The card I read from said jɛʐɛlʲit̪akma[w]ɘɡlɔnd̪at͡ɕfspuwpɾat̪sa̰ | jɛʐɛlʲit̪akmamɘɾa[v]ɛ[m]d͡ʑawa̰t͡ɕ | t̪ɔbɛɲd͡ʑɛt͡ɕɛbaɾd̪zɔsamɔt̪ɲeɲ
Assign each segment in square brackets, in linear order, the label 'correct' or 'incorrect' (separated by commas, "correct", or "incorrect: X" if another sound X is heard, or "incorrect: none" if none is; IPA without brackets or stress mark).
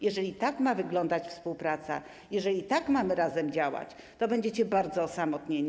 incorrect: v, incorrect: z, correct